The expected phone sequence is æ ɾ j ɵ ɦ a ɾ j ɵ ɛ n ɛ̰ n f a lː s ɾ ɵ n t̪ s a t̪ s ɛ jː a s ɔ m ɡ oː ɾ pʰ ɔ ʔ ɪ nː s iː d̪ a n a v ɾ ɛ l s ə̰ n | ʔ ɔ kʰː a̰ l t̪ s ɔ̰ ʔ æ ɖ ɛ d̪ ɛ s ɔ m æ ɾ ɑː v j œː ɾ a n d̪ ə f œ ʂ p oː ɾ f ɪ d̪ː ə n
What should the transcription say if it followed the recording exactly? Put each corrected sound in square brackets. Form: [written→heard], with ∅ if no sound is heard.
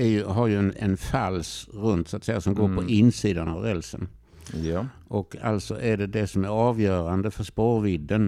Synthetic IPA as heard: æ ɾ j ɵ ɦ a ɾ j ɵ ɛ n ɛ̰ n f a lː s ɾ ɵ n t̪ s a t̪ s ɛ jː a s ɔ m ɡ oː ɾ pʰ ɔ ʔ ɪ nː s iː d̪ a n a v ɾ ɛ l s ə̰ n | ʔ ɔ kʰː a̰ l t̪ s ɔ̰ ʔ æ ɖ ɛ d̪ ɛ s ɔ m æ ɾ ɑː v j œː ɾ a n d̪ ə f œ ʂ p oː ɾ [f→v] ɪ d̪ː ə n